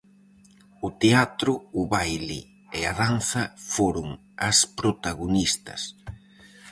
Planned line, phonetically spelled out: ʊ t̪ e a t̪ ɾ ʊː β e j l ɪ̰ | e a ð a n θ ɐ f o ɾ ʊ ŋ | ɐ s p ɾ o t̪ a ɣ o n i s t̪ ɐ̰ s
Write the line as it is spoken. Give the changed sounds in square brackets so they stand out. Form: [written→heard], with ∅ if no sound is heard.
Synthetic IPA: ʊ t̪ e a t̪ ɾ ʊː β [e→a] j l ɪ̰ | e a ð a n θ ɐ f o ɾ ʊ ŋ | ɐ s p ɾ o t̪ a ɣ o n i s t̪ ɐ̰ s